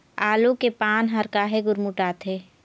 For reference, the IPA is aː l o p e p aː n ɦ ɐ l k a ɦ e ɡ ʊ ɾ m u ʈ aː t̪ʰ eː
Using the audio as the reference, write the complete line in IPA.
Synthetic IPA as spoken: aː l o k e p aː n ɦ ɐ ɾ k a ɦ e ɡ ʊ ɾ m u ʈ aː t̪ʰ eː